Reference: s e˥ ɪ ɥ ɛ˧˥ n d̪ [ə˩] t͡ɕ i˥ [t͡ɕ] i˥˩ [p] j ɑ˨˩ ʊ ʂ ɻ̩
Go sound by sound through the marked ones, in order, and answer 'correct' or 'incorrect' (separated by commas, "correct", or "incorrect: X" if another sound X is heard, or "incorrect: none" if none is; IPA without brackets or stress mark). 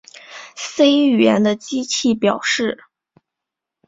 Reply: incorrect: ə˧, incorrect: t͡ɕʰ, correct